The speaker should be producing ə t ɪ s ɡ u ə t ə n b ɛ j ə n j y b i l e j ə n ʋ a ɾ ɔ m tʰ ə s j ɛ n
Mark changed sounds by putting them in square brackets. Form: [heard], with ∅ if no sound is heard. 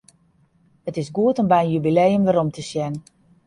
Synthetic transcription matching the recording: ə t ɪ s ɡ u ə t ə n b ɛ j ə n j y b i l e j ə [m] ʋ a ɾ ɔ m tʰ ə s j ɛ n